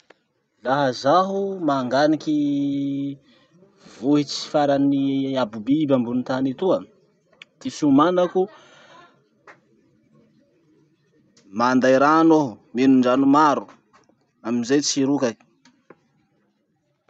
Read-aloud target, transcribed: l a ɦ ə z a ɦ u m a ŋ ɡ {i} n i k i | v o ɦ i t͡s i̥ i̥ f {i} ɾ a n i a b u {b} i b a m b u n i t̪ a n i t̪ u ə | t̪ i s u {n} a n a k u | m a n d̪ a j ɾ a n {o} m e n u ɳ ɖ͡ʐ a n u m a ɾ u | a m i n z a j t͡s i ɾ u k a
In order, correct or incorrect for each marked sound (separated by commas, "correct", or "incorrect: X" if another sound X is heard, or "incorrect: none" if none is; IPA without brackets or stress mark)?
incorrect: a, incorrect: a, correct, incorrect: m, correct